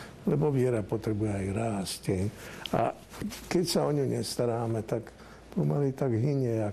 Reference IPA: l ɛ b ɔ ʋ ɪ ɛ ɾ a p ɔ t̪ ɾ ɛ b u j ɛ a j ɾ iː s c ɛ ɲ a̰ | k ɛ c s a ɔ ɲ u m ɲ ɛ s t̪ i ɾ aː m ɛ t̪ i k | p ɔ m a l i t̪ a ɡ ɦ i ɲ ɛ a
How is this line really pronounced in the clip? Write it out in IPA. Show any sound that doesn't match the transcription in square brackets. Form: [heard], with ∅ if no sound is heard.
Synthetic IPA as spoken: l ɛ b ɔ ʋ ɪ ɛ ɾ a p ɔ t̪ ɾ ɛ b u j ɛ a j ɾ [aː] s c ɛ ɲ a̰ | k ɛ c s a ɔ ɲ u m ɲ ɛ s t̪ [a] ɾ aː m ɛ t̪ [a] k | p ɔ m a l i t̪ a ɡ ɦ i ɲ ɛ a